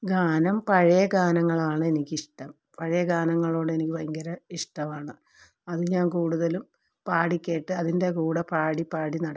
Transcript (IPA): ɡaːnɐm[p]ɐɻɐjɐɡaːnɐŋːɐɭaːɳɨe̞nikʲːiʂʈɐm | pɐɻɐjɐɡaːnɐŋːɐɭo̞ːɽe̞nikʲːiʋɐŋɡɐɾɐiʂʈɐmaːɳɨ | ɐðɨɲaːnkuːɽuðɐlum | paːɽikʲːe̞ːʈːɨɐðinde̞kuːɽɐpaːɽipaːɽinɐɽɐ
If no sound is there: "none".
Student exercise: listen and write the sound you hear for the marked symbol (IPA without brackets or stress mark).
p